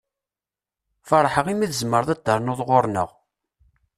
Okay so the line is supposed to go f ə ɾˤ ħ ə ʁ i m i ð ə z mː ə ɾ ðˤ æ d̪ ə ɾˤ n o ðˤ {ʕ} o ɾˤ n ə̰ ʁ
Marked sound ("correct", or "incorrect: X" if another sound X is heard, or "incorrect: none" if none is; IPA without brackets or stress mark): incorrect: ʁ